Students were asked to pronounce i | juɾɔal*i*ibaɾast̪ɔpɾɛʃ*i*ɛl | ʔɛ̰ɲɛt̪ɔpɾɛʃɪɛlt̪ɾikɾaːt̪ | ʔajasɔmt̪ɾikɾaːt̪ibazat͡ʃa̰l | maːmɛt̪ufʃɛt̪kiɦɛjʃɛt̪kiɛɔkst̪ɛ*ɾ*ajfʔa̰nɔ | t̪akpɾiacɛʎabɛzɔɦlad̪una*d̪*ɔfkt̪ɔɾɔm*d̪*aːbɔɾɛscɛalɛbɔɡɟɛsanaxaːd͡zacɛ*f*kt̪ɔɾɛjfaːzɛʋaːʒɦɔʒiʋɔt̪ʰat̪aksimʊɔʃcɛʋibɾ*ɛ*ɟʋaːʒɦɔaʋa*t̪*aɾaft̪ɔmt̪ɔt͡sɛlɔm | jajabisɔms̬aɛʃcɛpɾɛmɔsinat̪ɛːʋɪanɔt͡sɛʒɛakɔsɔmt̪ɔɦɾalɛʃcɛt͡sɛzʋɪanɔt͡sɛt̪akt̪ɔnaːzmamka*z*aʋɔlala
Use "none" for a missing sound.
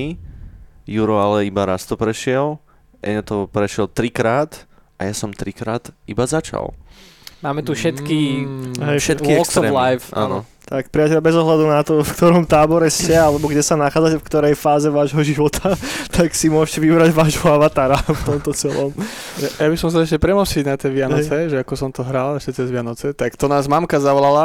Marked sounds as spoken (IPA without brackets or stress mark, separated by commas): ɛ, ɪ, l, t̪, t̪, f, a, t̪, z